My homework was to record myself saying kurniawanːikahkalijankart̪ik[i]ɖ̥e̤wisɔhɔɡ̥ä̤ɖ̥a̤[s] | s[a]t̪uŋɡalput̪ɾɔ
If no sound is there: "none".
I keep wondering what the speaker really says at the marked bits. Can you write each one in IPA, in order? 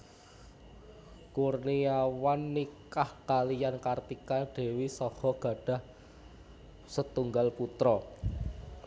a, h, ə

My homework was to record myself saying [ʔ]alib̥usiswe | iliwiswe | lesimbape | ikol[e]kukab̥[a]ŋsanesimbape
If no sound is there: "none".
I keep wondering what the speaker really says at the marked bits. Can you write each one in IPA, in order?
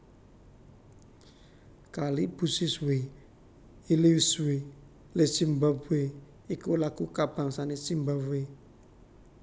k, a, a

